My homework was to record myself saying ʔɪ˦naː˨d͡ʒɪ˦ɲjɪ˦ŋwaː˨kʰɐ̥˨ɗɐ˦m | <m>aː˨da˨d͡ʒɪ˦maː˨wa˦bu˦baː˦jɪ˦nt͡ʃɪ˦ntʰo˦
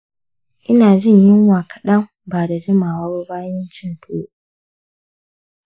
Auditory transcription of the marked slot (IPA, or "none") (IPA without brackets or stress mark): b